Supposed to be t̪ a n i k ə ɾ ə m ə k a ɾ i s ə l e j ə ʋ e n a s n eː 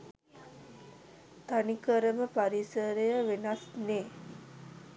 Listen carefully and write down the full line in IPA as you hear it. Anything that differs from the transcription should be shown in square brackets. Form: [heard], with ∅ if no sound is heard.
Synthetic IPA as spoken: t̪ a n i k ə ɾ ə m ə [p] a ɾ i s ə [ɾ] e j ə ʋ e n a s n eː